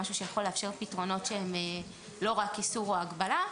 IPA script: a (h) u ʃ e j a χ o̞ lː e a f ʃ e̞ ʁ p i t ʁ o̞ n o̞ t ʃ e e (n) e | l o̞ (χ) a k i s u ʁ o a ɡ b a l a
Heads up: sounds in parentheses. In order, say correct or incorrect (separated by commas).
incorrect, incorrect, incorrect